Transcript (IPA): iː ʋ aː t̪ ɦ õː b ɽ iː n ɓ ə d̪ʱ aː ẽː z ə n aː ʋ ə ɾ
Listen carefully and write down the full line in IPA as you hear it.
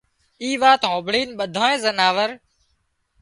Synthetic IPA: iː ʋ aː t̪ ɦ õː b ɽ iː n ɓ ə d̪ʱ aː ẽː z ə n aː ʋ ə ɾ